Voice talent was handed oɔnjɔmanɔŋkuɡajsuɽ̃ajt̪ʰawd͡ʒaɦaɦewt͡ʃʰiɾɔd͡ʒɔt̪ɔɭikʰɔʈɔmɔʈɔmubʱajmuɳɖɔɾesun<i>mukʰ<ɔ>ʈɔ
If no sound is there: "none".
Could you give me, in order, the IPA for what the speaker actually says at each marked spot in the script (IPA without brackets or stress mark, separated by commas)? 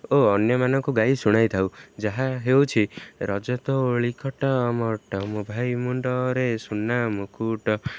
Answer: a, u